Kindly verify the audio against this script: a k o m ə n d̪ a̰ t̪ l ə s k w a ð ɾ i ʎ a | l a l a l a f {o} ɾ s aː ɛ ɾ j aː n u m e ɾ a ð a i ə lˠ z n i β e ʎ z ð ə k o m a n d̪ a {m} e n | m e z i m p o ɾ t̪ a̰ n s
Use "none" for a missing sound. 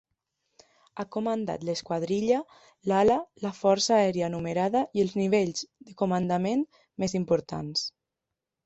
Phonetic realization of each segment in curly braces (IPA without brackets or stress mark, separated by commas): ɔ, m